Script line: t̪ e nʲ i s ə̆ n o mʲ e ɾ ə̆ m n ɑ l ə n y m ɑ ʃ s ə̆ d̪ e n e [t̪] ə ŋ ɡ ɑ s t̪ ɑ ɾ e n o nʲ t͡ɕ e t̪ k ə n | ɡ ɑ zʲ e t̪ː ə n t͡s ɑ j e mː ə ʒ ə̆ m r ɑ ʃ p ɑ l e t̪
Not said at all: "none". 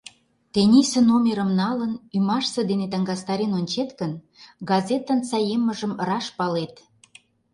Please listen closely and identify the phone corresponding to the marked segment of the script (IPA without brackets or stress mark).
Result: t̪